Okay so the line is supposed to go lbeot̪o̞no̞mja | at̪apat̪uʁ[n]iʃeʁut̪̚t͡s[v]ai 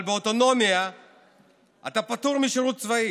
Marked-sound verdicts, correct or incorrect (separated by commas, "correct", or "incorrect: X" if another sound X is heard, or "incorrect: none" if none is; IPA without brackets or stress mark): incorrect: m, correct